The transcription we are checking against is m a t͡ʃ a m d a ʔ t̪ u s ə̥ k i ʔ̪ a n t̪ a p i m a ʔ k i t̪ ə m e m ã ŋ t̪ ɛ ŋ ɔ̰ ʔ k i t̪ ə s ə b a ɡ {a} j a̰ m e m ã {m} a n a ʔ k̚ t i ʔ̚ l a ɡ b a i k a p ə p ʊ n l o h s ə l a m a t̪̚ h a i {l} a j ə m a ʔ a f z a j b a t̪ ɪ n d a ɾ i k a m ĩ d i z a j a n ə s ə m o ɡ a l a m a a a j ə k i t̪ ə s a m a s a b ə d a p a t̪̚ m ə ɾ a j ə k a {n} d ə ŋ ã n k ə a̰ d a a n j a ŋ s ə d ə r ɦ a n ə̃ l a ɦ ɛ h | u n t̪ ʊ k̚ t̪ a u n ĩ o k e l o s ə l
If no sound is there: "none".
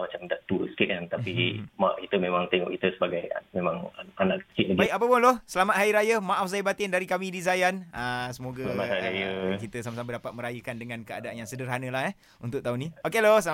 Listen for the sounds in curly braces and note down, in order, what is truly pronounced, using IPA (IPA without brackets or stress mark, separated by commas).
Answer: a, ŋ, ɾ, n